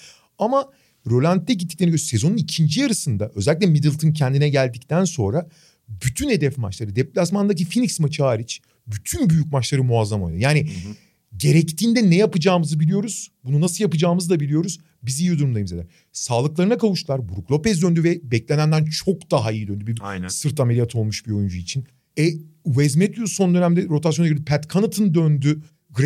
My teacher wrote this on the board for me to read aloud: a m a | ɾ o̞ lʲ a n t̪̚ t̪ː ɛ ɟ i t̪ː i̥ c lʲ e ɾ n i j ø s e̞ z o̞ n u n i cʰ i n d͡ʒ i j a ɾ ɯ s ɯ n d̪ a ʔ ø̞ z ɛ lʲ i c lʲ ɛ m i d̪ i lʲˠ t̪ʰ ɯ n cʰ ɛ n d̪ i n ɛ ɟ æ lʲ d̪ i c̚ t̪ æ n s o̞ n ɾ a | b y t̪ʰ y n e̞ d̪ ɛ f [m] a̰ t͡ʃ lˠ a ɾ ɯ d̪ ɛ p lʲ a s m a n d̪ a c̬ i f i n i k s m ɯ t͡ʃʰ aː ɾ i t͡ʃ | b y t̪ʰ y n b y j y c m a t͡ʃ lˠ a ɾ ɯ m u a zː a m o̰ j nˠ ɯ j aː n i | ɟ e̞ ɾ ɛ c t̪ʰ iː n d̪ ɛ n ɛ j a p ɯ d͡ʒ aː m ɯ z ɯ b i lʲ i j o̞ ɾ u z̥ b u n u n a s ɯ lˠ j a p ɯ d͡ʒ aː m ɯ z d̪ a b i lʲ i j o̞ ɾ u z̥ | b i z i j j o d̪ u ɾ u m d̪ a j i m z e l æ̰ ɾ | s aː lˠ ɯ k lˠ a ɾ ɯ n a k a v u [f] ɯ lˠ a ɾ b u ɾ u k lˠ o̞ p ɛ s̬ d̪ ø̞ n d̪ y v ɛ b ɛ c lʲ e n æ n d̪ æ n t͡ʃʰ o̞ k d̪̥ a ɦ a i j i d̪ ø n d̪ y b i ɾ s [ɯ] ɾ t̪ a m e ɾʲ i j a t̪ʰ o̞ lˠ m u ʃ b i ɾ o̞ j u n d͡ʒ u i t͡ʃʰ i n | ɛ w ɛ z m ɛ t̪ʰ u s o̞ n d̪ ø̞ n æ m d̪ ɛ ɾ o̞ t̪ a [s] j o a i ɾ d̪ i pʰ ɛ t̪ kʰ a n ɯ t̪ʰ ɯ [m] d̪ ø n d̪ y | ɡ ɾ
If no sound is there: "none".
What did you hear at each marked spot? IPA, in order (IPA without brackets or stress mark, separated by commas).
m, ʃ, ɯ, s, n